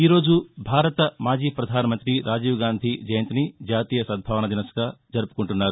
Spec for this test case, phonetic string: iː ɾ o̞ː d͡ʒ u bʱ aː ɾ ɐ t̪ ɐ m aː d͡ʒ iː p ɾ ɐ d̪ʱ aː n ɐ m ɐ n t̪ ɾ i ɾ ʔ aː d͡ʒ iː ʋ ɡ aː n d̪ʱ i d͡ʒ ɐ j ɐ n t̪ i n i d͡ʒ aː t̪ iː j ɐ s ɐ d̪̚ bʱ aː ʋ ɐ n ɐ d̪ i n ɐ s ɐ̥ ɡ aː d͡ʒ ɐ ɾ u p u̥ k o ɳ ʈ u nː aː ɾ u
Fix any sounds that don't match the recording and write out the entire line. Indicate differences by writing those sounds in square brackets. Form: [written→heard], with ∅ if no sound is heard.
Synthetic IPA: iː ɾ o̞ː d͡ʒ u bʱ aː ɾ ɐ t̪ ɐ m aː d͡ʒ iː p ɾ ɐ d̪ʱ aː n ɐ m ɐ n t̪ ɾ i ɾ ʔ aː d͡ʒ iː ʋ ɡ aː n d̪ʱ i d͡ʒ ɐ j ɐ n t̪ i n i d͡ʒ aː t̪ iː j ɐ s ɐ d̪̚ bʱ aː ʋ ɐ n ɐ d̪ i n ɐ s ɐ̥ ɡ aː d͡ʒ ɐ ɾ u p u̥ k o ɳ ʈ u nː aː ɾ u

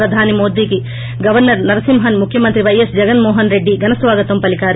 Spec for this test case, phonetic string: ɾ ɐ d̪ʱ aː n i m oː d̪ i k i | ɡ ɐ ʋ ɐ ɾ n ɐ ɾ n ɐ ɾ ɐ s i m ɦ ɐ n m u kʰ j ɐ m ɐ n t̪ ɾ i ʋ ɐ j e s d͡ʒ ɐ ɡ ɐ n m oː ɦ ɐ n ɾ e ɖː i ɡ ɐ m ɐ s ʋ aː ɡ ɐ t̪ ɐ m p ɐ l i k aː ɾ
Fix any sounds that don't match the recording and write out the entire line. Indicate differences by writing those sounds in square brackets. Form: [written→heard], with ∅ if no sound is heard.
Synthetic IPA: ɾ ɐ d̪ʱ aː n i m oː d̪ i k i | ɡ ɐ ʋ ɐ ɾ n ɐ ɾ n ɐ ɾ ɐ s i m ɦ ɐ n m u kʰ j ɐ m ɐ n t̪ ɾ i ʋ ɐ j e s d͡ʒ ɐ ɡ ɐ n m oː ɦ ɐ n ɾ e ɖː i ɡ ɐ [m→n] ɐ s ʋ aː ɡ ɐ t̪ ɐ m p ɐ l i k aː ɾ

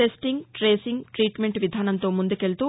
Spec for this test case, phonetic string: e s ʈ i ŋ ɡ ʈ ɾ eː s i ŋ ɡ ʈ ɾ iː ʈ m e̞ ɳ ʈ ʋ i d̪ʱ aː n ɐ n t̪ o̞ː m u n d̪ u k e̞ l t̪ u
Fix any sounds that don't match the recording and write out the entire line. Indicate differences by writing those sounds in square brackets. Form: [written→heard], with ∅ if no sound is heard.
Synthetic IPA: e s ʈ i ŋ ɡ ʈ ɾ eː s i ŋ ɡ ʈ ɾ iː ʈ m e̞ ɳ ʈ ʋ i d̪ʱ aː n ɐ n t̪ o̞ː m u n d̪ u k e̞ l t̪ u

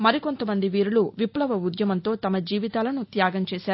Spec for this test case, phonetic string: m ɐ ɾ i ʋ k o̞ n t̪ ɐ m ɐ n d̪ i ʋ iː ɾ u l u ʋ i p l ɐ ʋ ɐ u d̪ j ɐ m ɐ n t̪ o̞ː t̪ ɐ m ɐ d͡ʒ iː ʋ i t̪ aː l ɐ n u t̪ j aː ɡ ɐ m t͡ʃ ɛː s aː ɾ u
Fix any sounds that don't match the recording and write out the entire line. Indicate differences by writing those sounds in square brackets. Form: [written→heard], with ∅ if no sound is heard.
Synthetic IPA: m ɐ ɾ i [ʋ→∅] k o̞ n t̪ ɐ m ɐ n d̪ i ʋ iː ɾ u l u ʋ i p l ɐ ʋ ɐ u d̪ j ɐ m ɐ n t̪ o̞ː t̪ ɐ m ɐ d͡ʒ iː ʋ i t̪ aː l ɐ n u t̪ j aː ɡ ɐ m t͡ʃ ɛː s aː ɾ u

